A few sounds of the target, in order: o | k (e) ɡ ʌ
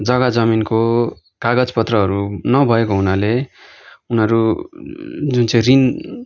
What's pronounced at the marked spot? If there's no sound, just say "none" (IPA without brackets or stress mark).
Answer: a